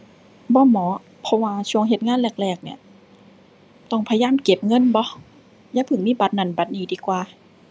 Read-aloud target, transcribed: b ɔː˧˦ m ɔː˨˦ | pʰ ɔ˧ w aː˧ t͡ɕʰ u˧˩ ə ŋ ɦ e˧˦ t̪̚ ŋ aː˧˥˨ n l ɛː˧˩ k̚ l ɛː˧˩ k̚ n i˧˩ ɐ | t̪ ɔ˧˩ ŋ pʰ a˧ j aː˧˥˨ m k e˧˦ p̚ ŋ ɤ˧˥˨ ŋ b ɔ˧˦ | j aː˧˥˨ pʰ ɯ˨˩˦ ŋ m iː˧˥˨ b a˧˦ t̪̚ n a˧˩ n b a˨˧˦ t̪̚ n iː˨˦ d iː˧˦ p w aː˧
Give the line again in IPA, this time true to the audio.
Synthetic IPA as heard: b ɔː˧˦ m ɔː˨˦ | pʰ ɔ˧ w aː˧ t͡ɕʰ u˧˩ ə ŋ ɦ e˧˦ t̪̚ ŋ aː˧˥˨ n l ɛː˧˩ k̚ l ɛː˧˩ k̚ n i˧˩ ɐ | t̪ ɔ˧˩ ŋ pʰ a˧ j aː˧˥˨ m k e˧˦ p̚ ŋ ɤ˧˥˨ n b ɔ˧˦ | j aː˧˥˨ pʰ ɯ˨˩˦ ŋ m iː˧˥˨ b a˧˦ t̪̚ n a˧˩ n b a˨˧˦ t̪̚ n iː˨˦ d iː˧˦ k w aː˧

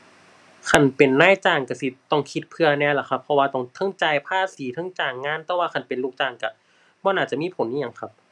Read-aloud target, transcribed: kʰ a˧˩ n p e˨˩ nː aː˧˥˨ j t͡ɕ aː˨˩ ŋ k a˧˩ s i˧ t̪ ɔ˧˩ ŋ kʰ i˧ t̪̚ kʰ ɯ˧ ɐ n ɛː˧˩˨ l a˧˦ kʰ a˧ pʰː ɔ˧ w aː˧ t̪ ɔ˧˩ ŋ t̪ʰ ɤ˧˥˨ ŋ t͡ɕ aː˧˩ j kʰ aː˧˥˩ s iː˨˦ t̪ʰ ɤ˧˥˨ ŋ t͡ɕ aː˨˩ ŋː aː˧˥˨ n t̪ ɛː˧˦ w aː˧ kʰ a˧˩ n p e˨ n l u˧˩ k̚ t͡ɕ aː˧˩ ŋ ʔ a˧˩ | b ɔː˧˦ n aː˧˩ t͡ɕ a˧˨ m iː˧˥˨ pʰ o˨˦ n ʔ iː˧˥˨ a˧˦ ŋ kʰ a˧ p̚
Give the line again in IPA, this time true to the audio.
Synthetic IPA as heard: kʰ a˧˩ n p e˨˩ nː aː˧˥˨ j t͡ɕ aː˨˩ ŋ k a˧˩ s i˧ t̪ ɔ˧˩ ŋ kʰ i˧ t̪̚ pʰ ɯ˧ ɐ n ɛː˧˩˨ l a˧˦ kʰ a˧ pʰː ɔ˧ w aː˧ t̪ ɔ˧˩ ŋ t̪ʰ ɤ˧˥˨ ŋ t͡ɕ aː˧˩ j pʰ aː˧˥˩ s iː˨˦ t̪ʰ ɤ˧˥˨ ŋ t͡ɕ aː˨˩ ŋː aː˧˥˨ n t̪ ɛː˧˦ w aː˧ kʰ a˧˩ n p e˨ n l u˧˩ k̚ t͡ɕ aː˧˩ ŋ k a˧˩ | b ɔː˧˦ n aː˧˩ t͡ɕ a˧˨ m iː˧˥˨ pʰ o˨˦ n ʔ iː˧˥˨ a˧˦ ŋ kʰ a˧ p̚

